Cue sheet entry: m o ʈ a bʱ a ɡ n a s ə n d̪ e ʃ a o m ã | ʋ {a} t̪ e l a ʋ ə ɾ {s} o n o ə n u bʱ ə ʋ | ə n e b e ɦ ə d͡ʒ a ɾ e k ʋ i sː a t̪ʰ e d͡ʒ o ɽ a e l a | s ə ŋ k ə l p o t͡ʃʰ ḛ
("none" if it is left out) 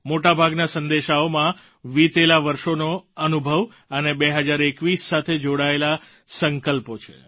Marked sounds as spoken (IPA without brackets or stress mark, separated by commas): i, ʃ